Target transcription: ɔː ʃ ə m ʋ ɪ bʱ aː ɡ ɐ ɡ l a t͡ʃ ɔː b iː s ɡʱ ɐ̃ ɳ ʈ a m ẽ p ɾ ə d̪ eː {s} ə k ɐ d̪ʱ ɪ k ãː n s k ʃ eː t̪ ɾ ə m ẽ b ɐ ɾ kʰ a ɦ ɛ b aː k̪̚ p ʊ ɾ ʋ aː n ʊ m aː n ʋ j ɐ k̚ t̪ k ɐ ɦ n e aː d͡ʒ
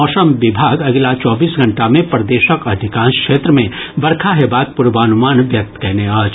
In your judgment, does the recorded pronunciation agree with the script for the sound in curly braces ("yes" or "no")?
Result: no